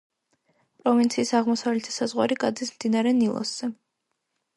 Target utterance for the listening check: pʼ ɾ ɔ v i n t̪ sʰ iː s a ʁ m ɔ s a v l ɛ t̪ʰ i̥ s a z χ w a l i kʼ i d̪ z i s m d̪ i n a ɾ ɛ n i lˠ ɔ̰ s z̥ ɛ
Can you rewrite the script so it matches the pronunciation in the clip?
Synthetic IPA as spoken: pʼ ɾ ɔ v i n t̪ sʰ iː s a ʁ m ɔ s a v l ɛ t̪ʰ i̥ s a z ʁ w a ɾ i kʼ a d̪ z i s m d̪ i n a ɾ ɛ n i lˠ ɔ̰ s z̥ ɛ